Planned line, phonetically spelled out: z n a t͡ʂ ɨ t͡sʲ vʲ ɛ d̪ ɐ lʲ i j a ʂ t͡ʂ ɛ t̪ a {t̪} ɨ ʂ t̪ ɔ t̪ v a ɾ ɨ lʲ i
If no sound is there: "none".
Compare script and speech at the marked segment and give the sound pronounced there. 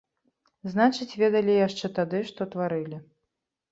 d̪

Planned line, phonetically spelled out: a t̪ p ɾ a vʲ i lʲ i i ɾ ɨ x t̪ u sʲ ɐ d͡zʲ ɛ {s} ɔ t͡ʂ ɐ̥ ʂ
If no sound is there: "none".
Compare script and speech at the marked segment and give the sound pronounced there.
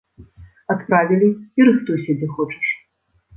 x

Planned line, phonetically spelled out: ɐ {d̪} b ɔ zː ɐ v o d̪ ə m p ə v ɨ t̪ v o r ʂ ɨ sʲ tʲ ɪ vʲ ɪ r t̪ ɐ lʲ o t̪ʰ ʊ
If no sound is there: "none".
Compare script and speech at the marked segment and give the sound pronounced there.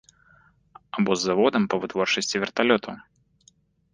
none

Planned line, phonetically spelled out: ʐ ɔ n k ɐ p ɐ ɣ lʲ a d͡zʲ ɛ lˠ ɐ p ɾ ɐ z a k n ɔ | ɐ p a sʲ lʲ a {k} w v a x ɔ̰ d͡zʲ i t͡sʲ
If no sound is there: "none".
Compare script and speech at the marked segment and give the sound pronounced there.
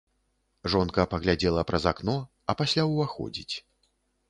none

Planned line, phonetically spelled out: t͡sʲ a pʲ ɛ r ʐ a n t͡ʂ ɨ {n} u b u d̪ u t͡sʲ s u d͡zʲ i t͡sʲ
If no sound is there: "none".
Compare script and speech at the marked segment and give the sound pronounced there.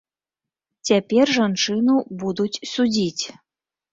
n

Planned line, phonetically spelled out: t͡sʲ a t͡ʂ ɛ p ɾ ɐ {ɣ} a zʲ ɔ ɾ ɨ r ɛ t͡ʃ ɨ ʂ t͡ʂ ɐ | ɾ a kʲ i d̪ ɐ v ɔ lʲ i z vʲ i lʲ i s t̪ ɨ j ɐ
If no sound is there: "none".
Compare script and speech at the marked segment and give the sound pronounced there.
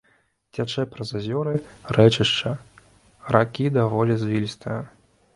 z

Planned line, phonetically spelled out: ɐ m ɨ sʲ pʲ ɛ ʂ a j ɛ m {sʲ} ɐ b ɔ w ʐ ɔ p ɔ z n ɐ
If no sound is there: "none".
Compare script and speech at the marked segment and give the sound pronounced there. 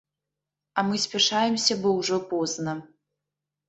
sʲ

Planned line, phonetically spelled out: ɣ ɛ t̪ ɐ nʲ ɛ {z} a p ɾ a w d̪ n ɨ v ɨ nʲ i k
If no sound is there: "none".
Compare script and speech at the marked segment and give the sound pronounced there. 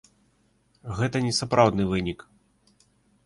s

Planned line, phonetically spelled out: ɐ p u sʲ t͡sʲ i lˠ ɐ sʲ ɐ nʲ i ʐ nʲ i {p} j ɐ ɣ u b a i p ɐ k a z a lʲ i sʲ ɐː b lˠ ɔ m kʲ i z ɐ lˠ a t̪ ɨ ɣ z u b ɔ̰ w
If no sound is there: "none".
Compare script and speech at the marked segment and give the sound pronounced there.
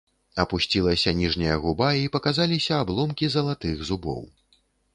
none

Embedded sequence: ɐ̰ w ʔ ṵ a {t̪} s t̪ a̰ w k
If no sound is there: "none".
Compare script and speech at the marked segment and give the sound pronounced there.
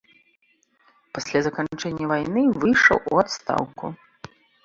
t̪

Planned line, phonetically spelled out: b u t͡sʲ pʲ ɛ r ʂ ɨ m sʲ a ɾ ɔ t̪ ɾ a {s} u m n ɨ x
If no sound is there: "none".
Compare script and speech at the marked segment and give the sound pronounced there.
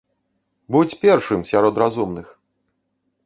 z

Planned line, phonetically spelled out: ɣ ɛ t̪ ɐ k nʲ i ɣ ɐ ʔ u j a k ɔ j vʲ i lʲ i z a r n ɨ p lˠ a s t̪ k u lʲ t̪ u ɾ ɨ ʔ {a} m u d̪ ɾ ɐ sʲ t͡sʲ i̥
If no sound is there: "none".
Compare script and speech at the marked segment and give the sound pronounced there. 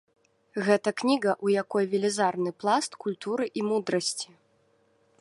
i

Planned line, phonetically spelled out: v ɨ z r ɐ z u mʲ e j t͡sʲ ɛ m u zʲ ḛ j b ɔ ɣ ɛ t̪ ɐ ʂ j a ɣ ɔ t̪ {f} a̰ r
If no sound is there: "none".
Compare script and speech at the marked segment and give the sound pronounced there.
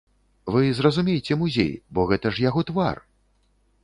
v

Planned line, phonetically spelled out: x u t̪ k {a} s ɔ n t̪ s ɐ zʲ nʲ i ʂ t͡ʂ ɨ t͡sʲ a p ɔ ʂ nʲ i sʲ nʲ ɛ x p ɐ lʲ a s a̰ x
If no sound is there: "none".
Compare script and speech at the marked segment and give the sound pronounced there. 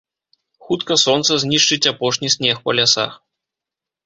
ɐ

